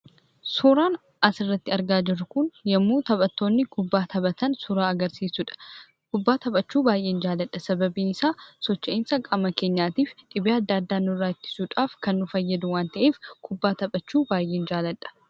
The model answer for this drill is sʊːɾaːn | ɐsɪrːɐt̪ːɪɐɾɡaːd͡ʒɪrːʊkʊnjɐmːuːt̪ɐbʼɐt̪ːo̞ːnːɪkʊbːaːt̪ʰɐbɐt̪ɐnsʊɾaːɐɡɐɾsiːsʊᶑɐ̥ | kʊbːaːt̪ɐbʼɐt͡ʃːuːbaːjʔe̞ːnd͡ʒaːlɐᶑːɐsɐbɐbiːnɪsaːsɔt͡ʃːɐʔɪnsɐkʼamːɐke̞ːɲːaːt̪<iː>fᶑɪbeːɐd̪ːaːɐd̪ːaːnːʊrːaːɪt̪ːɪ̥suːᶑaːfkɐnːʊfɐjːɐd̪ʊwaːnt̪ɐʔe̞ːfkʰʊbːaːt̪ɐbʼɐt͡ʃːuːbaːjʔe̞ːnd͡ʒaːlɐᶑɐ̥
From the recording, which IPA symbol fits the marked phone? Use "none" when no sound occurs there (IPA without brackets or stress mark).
iː